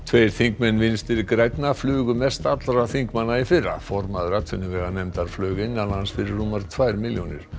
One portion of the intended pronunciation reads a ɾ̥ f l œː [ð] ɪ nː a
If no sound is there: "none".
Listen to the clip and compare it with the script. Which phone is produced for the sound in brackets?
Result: ɣ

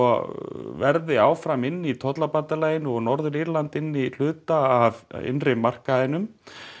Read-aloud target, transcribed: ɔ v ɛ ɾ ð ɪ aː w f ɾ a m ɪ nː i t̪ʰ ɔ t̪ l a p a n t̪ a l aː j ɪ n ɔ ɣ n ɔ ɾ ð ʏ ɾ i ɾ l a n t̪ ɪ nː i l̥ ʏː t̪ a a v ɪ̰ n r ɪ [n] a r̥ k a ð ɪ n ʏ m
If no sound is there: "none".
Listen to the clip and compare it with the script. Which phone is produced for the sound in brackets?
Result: m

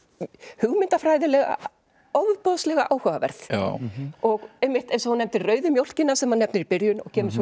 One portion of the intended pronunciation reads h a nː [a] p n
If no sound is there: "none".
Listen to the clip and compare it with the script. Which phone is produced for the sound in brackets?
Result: ɛ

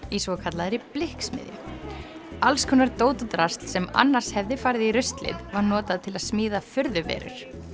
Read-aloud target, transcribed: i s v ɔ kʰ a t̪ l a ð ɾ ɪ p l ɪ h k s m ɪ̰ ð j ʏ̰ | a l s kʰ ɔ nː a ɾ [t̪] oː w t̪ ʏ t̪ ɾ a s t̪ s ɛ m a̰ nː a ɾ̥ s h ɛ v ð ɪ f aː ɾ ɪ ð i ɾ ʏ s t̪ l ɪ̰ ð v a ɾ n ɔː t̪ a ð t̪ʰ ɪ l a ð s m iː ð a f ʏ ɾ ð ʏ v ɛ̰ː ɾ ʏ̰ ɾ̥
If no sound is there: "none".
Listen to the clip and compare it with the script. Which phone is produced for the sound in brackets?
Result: t̪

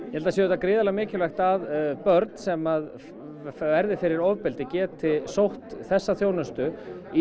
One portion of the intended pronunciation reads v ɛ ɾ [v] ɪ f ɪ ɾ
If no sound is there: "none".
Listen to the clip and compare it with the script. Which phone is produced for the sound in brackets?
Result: ð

